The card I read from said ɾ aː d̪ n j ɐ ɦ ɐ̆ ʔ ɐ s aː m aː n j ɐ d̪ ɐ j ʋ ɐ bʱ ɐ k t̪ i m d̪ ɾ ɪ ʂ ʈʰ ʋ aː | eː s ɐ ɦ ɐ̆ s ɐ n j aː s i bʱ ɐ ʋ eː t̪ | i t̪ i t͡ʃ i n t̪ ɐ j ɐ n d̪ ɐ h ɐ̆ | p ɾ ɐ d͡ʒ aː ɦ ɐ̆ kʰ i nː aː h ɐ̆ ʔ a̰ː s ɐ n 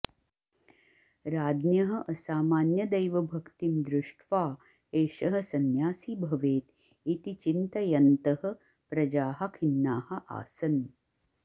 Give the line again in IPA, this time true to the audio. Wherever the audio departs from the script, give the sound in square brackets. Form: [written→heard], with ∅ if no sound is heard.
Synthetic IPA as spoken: ɾ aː d̪ n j ɐ ɦ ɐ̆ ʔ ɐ s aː m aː n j ɐ d̪ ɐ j ʋ ɐ bʱ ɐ k t̪ i m d̪ ɾ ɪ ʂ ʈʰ ʋ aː | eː [s→ʃ] ɐ ɦ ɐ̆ s ɐ n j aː s i bʱ ɐ ʋ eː t̪ | i t̪ i t͡ʃ i n t̪ ɐ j ɐ n [d̪→t̪] ɐ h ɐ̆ | p ɾ ɐ d͡ʒ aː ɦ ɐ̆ kʰ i nː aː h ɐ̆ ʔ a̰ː s ɐ n